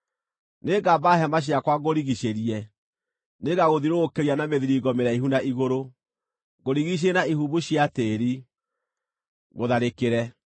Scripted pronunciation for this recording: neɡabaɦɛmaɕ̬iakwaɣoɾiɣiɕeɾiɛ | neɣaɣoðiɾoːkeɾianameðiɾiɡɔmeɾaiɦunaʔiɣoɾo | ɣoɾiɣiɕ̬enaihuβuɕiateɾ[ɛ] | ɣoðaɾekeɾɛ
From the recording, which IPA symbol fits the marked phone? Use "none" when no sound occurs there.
i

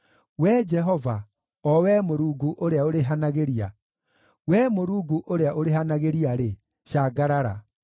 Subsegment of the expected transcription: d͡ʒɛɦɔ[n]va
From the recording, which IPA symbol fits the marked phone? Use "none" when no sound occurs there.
none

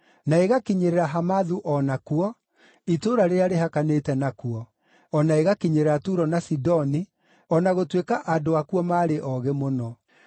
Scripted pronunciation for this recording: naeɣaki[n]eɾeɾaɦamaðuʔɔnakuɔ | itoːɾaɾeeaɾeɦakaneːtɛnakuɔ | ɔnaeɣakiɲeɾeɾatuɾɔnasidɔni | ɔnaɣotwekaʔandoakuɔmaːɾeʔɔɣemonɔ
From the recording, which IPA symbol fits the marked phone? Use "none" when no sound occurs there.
ɲ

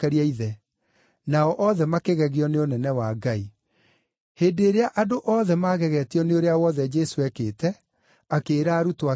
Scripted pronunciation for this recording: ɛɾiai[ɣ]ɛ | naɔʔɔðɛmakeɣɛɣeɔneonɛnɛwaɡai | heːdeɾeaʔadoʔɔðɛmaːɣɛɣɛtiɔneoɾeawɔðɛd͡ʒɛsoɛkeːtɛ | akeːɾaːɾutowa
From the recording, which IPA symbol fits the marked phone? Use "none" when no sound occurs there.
ð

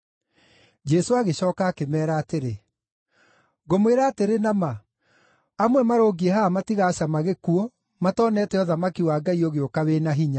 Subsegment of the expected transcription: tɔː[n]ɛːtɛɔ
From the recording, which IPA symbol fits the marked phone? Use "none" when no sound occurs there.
n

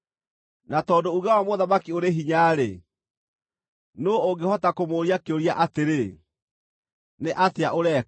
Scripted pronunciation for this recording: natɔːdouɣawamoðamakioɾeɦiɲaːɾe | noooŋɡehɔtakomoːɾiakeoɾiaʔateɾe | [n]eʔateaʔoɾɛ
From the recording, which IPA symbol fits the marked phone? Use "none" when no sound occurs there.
n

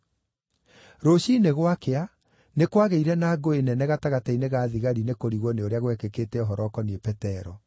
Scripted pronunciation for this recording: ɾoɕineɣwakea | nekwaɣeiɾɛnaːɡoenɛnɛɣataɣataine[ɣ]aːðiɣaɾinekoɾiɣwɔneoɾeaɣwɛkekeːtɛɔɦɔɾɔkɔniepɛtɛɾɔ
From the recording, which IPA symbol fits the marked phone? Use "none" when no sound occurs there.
ɣ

